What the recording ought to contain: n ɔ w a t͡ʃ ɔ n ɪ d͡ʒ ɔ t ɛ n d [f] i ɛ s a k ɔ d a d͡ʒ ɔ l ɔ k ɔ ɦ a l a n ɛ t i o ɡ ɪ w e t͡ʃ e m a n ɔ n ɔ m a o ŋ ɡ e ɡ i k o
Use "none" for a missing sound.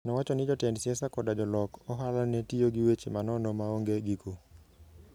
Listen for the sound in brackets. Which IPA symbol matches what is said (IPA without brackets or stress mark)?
s